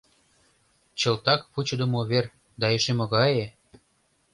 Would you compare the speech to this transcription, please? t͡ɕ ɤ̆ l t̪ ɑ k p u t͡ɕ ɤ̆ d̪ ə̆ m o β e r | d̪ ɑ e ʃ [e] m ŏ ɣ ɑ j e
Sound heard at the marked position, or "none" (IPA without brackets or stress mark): e